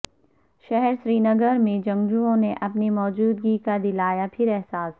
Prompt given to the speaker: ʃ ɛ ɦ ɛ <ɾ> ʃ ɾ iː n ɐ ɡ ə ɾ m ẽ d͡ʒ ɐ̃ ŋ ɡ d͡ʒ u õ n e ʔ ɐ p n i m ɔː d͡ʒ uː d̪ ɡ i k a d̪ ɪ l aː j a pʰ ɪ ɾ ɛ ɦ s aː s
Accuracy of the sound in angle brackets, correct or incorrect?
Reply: correct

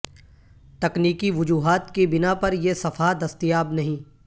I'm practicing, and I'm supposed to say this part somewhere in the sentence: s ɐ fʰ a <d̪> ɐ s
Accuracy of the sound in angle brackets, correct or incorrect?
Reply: correct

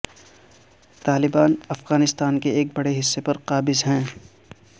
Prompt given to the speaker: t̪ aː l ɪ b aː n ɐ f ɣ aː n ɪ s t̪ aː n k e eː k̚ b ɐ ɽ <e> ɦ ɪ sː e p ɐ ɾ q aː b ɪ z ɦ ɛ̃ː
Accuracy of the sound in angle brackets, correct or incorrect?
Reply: correct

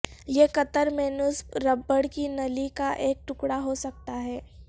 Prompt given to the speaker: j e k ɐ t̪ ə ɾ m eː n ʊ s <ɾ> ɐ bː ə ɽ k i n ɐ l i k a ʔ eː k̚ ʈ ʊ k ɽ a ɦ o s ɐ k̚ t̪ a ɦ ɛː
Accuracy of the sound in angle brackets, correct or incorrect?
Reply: correct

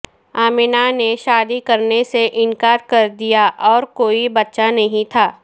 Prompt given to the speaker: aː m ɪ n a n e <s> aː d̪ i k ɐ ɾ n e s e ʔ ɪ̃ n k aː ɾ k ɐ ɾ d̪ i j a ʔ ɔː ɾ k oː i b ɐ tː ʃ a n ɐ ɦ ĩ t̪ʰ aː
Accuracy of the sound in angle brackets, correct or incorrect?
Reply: incorrect: ʃ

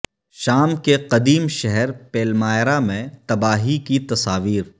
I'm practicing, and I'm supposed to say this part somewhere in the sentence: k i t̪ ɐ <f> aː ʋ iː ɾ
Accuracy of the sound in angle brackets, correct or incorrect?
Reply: incorrect: s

